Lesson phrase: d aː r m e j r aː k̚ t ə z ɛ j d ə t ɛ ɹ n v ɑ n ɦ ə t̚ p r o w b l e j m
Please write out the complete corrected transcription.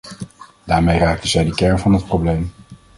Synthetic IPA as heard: d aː ɹ m e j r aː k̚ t ə z ɛ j d ə k ɛ ɹ n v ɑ n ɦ ə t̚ p r o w b l e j m